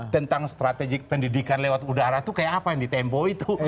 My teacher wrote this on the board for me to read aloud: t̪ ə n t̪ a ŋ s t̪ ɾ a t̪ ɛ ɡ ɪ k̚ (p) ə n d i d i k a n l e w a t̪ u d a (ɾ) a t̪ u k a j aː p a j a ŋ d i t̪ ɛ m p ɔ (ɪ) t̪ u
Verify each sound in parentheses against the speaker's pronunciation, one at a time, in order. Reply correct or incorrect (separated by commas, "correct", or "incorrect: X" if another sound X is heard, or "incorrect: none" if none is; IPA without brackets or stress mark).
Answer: correct, correct, incorrect: i